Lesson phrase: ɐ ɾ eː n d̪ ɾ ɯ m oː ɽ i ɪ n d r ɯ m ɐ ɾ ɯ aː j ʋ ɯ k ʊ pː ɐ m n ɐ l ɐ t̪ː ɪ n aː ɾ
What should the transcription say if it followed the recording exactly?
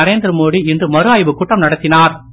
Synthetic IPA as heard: ɐ ɾ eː n d̪ ɾ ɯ m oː ɽ i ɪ n d r ɯ m ɐ ɾ ɯ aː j ʋ ɯ k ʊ ʈː ɐ m n ɐ ɽ ɐ t̪ː ɪ n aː ɾ